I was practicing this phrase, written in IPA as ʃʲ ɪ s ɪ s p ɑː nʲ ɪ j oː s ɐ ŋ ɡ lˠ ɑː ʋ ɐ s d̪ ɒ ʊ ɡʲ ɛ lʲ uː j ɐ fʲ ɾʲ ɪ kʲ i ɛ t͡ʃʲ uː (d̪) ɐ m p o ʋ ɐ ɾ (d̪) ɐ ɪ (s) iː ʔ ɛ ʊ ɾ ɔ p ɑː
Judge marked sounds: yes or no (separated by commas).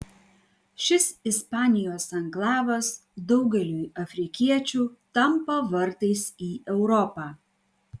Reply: no, no, yes